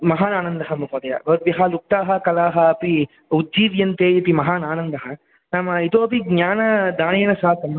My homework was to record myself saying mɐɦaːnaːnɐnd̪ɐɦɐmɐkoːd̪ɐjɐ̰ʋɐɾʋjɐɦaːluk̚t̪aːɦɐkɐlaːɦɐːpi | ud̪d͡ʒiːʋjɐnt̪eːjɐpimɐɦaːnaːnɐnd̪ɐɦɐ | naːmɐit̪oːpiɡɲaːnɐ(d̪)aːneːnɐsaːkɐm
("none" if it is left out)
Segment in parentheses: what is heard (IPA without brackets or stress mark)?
d̪